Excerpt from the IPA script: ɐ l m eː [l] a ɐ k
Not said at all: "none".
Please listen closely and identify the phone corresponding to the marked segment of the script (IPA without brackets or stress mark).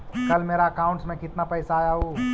ɾ